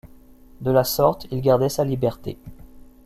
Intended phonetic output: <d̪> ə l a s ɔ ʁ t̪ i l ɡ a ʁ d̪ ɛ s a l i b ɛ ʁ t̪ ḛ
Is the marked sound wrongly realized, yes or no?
no